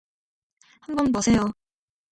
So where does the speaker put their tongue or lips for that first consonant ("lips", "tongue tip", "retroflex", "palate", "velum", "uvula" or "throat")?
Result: throat